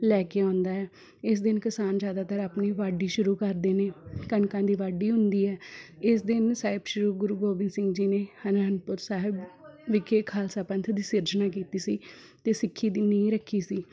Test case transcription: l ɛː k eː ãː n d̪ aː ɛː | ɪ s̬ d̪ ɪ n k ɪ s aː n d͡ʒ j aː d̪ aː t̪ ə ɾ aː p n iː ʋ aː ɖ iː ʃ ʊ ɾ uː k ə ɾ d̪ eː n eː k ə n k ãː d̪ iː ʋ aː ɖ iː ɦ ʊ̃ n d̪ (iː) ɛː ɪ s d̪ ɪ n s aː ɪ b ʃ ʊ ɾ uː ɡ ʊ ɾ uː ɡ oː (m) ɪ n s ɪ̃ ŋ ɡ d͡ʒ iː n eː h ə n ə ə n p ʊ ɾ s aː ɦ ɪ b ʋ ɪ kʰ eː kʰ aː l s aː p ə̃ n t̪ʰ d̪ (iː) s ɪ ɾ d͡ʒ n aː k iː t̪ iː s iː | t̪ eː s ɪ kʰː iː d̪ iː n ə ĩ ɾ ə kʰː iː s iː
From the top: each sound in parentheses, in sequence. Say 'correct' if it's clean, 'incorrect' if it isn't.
correct, incorrect, correct

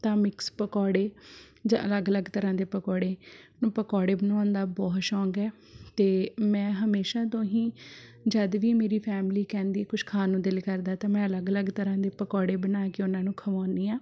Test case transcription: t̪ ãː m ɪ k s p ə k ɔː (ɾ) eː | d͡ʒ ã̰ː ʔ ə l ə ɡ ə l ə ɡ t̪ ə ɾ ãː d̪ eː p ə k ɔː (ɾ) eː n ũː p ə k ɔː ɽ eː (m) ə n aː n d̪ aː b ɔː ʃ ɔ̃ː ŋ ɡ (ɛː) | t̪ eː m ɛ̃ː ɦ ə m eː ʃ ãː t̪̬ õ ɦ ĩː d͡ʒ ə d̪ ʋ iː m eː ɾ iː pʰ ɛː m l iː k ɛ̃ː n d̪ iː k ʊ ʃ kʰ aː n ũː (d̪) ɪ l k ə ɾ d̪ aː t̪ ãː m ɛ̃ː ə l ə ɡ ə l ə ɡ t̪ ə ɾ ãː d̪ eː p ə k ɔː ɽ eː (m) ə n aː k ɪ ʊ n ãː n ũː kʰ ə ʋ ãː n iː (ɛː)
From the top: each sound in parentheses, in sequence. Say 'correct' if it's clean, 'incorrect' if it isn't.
incorrect, incorrect, incorrect, correct, correct, incorrect, incorrect

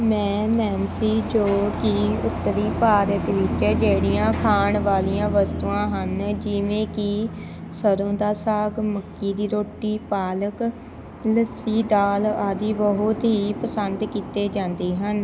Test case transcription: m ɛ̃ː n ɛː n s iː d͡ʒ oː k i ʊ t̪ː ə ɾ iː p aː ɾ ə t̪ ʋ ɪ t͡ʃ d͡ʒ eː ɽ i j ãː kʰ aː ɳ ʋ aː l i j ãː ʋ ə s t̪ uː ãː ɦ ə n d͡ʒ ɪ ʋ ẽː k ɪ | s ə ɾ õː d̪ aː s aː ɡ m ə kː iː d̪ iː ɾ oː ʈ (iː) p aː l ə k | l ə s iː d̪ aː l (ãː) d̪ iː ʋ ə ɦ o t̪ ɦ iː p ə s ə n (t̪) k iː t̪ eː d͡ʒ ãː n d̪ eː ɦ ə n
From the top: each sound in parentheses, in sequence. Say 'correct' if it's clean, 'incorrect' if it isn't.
correct, incorrect, incorrect

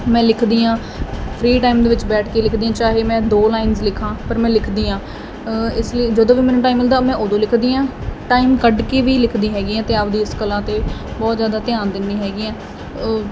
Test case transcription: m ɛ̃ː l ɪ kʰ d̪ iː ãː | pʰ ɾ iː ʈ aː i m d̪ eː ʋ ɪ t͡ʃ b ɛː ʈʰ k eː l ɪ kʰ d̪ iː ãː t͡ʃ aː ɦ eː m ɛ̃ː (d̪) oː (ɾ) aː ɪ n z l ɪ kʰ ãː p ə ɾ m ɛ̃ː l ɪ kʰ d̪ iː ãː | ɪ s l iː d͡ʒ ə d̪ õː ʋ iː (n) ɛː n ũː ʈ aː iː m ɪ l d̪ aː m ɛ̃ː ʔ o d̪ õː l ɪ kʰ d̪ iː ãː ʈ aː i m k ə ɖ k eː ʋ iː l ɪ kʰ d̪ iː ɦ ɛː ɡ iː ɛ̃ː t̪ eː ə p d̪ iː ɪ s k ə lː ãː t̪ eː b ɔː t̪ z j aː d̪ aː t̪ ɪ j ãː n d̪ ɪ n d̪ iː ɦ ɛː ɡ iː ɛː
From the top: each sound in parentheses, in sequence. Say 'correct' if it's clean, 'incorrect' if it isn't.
correct, incorrect, incorrect

